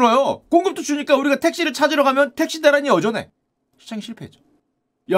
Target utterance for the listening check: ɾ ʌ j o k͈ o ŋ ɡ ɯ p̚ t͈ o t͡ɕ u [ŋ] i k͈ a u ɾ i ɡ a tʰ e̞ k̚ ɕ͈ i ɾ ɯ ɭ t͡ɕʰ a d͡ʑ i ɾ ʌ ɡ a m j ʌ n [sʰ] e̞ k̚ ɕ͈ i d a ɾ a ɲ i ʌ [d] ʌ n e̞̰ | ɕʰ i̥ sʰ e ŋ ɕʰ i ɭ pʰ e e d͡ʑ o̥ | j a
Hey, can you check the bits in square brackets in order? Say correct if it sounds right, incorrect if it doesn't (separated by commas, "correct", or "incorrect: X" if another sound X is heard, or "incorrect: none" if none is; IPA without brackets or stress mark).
incorrect: ɲ, incorrect: tʰ, incorrect: d͡ʑ